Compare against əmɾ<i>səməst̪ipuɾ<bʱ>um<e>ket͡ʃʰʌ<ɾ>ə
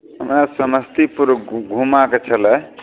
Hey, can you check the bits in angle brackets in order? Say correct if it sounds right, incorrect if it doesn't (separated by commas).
incorrect, incorrect, incorrect, incorrect